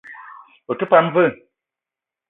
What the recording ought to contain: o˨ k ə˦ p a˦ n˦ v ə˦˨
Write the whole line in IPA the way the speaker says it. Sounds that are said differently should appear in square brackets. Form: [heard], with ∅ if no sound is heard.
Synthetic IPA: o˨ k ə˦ p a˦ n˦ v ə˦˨